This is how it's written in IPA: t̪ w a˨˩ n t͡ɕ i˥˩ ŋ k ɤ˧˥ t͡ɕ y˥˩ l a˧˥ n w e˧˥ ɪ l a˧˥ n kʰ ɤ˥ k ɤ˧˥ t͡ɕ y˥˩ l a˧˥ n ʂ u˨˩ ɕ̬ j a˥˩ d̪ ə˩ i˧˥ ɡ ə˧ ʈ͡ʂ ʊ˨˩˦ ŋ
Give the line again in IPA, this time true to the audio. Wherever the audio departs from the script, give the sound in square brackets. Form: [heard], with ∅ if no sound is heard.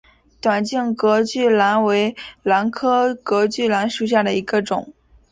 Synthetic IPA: t̪ w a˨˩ n t͡ɕ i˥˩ ŋ k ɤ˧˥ t͡ɕ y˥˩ l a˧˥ n w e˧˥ ɪ l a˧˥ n kʰ ɤ˥ k ɤ˧˥ t͡ɕ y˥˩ l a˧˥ n ʂ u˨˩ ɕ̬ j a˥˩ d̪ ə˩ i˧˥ ɡ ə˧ ʈ͡ʂ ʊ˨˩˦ ŋ